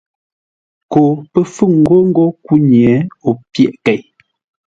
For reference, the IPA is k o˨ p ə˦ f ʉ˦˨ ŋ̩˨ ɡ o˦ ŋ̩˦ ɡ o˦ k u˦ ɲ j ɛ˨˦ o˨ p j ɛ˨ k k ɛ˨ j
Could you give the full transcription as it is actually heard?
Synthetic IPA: k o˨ p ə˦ f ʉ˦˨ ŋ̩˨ ɡ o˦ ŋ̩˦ ɡ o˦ k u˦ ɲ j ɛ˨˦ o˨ p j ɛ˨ ʔ k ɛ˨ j